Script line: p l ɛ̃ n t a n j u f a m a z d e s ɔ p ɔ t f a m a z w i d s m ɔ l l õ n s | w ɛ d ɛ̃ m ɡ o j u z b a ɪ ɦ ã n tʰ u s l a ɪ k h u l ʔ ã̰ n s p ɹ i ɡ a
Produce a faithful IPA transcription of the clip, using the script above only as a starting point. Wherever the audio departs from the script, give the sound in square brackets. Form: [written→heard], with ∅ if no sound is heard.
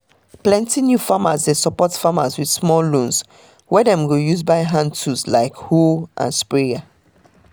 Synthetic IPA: p l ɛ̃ n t [a→i] n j u f a m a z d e s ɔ p ɔ t f a m a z w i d s m ɔ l l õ n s | w ɛ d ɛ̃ m ɡ o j u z b a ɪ ɦ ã n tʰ u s l a ɪ k h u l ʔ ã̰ n s p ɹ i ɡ a